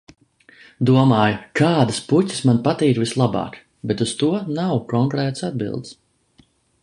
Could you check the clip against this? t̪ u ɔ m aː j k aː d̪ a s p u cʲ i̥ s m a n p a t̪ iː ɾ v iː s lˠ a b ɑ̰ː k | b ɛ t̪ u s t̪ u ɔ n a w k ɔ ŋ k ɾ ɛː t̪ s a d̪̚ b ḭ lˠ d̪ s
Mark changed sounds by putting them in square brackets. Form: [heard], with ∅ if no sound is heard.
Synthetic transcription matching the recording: [d̪] u ɔ m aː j k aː d̪ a s p u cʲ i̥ s m a n p a t̪ iː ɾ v [i] s lˠ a b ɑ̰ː k | b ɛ t̪ u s t̪ u ɔ n a w k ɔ ŋ k ɾ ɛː t̪ s a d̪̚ b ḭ lˠ d̪ s